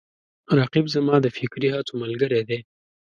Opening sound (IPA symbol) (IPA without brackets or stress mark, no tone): ɾ